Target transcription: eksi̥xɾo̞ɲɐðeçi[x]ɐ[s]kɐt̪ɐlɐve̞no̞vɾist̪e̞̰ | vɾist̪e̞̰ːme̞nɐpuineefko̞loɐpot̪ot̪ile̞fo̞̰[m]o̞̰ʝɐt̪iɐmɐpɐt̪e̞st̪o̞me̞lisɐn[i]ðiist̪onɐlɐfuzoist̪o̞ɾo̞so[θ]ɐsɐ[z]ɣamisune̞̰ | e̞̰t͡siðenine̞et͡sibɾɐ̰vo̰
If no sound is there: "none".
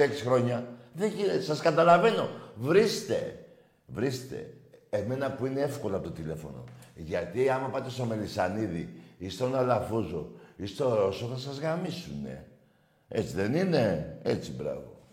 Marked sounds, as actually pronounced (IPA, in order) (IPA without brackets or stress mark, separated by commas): s, s, n, i, θ, z